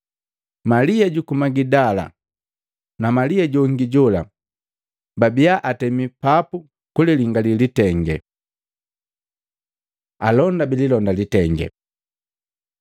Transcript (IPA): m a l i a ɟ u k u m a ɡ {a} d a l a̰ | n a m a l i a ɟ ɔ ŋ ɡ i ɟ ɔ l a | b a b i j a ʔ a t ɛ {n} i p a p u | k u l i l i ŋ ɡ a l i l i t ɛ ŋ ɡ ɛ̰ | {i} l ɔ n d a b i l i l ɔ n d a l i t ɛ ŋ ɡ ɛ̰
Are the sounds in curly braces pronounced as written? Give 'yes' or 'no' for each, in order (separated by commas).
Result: no, no, no